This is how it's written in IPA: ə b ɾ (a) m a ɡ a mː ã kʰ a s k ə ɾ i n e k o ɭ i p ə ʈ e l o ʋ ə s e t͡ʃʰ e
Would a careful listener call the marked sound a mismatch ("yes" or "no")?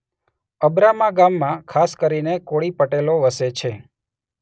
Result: no